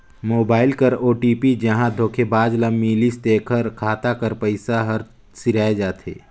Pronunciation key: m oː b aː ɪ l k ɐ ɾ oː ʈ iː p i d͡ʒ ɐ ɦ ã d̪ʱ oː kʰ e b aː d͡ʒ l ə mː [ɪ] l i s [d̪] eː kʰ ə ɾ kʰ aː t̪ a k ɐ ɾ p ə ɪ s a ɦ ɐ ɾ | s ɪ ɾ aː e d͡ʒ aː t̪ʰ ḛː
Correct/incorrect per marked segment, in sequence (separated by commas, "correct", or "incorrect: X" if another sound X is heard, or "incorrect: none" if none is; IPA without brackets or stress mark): incorrect: i, incorrect: t̪